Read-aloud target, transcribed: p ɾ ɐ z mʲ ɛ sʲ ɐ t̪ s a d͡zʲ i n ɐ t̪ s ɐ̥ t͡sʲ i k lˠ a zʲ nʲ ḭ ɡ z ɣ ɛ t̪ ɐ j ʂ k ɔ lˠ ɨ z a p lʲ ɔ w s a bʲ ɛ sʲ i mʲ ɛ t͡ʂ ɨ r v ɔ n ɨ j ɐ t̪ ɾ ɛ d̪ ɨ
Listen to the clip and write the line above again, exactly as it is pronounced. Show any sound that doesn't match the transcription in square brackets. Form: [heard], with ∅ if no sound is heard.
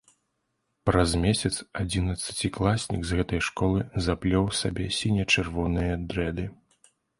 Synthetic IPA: p ɾ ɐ z mʲ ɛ sʲ ɐ t̪ s a d͡zʲ i n ɐ t̪ s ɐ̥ t͡sʲ i k lˠ a [sʲ] nʲ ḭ ɡ z ɣ ɛ t̪ ɐ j ʂ k ɔ lˠ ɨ z a p lʲ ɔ w s a bʲ ɛ sʲ i [nʲ] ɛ t͡ʂ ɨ r v ɔ n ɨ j ɐ [d̪] ɾ ɛ d̪ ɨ